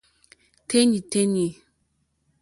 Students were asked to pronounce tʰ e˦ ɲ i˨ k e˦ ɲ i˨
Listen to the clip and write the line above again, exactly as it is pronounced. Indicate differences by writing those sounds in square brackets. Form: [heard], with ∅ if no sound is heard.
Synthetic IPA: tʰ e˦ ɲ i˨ [t] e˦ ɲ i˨